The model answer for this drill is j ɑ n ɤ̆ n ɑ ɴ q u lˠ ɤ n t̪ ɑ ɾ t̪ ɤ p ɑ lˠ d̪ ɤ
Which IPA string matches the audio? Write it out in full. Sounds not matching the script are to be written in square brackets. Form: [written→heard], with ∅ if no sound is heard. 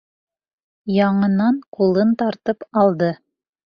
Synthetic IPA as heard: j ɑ [n→ɴ] ɤ̆ n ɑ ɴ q u lˠ ɤ n t̪ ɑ ɾ t̪ ɤ p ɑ lˠ d̪ ɤ